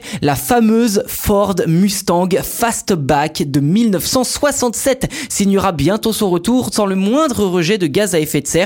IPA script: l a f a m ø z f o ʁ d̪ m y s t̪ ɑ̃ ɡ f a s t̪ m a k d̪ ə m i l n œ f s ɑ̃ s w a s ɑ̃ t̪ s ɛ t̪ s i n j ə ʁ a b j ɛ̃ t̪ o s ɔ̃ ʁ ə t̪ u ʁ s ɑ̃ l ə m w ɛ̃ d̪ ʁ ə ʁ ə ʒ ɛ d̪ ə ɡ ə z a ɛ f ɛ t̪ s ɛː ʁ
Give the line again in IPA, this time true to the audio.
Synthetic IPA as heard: l a f a m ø z f ɔ ʁ d̪ m y s t̪ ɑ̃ ɡ f a s t̪ b a k d̪ ə m i l n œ f s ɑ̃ s w a s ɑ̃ t̪ s ɛ t̪ s i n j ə ʁ a b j ɛ̃ t̪ o s ɔ̃ ʁ ə t̪ u ʁ s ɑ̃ l ə m w ɛ̃ d̪ ʁ ə ʁ ə ʒ ɛ d̪ ə ɡ a z a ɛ f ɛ t̪ s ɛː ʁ